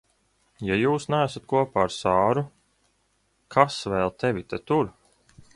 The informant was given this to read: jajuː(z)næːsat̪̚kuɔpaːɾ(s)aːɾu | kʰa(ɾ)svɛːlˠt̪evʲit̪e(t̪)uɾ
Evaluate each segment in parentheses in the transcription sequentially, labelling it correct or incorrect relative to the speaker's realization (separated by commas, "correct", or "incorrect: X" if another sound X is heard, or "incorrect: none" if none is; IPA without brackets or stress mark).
incorrect: s, correct, incorrect: none, correct